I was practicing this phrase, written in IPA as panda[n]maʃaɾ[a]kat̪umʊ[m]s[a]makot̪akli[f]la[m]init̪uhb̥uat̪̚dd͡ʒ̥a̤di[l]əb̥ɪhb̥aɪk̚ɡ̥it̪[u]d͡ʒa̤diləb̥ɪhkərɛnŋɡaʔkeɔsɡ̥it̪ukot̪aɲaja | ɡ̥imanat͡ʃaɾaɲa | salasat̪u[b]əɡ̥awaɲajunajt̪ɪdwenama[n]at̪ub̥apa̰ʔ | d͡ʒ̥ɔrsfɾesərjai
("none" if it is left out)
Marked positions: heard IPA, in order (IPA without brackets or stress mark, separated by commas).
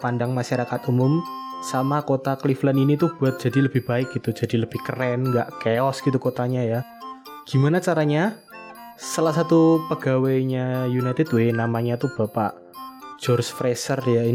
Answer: ŋ, a, m, a, f, n, l, u, p, ɲ